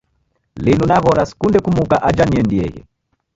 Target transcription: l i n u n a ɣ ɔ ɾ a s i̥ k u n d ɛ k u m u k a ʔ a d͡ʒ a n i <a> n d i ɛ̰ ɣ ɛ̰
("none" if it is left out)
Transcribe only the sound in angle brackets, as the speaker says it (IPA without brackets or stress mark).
ɛ